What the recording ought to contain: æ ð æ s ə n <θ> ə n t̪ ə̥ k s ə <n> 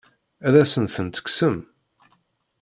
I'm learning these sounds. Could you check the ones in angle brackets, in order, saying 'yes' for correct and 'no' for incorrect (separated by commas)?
yes, no